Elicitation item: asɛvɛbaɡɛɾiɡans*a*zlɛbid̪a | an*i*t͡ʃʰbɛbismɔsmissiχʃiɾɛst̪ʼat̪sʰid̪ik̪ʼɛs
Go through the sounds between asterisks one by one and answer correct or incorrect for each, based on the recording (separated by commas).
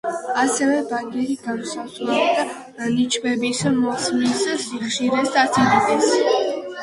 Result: correct, correct